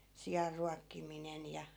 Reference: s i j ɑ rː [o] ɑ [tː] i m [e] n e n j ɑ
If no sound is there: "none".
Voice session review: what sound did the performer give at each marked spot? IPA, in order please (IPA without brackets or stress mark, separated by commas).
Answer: u, kː, i